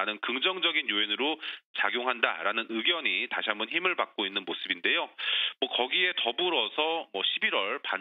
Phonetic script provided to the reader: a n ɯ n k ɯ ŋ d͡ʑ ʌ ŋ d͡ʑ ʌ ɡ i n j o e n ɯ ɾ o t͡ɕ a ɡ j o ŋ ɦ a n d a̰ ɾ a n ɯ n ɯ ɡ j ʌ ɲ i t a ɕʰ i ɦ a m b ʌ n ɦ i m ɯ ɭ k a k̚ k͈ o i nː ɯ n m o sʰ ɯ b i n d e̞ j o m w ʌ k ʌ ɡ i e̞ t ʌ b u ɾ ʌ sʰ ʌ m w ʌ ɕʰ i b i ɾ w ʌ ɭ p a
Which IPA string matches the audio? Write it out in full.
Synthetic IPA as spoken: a n ɯ n k ɯ ŋ d͡ʑ ʌ ŋ d͡ʑ ʌ ɡ i n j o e n ɯ ɾ o t͡ɕ a ɡ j o ŋ ɦ a n d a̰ ɾ a n ɯ n ɯ ɡ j ʌ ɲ i t a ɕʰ i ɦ a m b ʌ n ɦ i m ɯ ɭ p a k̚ k͈ o i nː ɯ n m o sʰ ɯ b i n d e̞ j o m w ʌ k ʌ ɡ i e̞ t ʌ b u ɾ ʌ sʰ ʌ m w ʌ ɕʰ i b i ɾ w ʌ ɭ p a

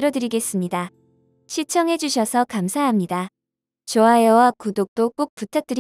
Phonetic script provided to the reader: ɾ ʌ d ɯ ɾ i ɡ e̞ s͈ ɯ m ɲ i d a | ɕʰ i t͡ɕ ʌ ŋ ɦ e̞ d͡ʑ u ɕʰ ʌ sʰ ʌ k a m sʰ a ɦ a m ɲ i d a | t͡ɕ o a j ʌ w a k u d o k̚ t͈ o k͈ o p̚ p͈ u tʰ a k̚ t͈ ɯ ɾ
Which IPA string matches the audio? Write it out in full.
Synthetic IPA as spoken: ɾ ʌ d ɯ ɾ i ɡ e̞ s͈ ɯ m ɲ i d a | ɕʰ i t͡ɕʰ ʌ ŋ ɦ e̞ d͡ʑ u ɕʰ ʌ sʰ ʌ k a m sʰ a ɦ a m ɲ i d a | t͡ɕ o a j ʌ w a k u d o k̚ t͈ o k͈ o k̚ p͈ u tʰ a k̚ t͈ ɯ ɾ

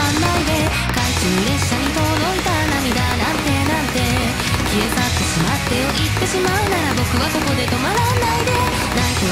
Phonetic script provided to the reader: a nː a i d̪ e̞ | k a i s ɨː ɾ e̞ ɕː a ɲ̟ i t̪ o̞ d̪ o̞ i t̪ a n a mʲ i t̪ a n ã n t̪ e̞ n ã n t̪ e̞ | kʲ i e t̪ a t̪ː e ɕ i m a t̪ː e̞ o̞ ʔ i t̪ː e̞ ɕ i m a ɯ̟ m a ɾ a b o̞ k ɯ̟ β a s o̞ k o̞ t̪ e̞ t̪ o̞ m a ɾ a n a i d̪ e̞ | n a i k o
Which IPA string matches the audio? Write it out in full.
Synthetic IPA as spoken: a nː a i d̪ e̞ | k a i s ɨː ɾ e̞ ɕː a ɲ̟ i t̪ o̞ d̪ o̞ i t̪ a n a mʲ i d̪ a n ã n t̪ e̞ n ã n t̪ e̞ | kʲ i e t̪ a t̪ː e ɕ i m a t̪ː e̞ o̞ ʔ i t̪ː e̞ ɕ i m a ɯ̟ n a ɾ a b o̞ k ɯ̟ β a s o̞ k o̞ d̪ e̞ t̪ o̞ m a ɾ a n a i d̪ e̞ | n a i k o

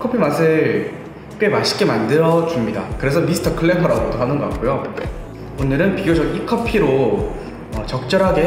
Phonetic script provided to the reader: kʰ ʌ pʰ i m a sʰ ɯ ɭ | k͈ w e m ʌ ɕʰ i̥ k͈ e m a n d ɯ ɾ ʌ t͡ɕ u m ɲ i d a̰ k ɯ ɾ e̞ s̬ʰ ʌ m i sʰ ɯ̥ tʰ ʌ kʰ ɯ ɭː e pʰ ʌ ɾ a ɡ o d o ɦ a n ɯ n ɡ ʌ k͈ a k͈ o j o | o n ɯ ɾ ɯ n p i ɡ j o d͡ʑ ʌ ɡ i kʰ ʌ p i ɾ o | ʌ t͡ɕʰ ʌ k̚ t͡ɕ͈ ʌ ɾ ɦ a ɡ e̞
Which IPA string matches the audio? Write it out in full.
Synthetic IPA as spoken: kʰ ʌ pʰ i m a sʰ ɯ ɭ | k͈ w e m a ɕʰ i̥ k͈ e m a n d ɯ ɾ ʌ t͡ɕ u m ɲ i d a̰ k ɯ ɾ e̞ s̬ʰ ʌ m i sʰ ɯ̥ tʰ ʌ kʰ ɯ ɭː e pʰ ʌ ɾ a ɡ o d o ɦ a n ɯ n ɡ ʌ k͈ a k͈ o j o | o n ɯ ɾ ɯ n p i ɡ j o d͡ʑ ʌ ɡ i kʰ ʌ pʰ i ɾ o | ʌ t͡ɕ ʌ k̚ t͡ɕ͈ ʌ ɾ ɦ a ɡ e̞

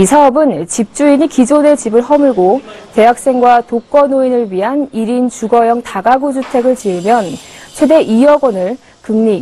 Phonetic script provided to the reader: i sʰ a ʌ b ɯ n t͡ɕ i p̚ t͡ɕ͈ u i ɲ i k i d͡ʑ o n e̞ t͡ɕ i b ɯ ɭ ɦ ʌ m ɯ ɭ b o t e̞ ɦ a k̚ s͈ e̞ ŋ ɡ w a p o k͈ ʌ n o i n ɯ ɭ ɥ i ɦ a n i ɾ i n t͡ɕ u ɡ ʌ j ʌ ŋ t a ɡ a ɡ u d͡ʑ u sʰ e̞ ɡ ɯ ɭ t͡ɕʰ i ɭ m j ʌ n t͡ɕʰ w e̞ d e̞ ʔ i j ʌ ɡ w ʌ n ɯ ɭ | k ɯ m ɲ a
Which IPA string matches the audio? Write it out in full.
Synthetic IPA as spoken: i sʰ a ʌ b ɯ n t͡ɕ i p̚ t͡ɕ͈ u i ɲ i k i d͡ʑ o n e̞ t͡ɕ i b ɯ ɭ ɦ ʌ m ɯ ɭ ɡ o t e̞ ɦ a k̚ s͈ e̞ ŋ ɡ w a t o k͈ ʌ n o i n ɯ ɭ ɥ i ɦ a n i ɾ i n t͡ɕ u ɡ ʌ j ʌ ŋ t a ɡ a ɡ u d͡ʑ u tʰ e̞ ɡ ɯ ɭ t͡ɕ i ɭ m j ʌ n t͡ɕʰ w e̞ d e̞ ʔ i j ʌ ɡ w ʌ n ɯ ɭ | k ɯ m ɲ i

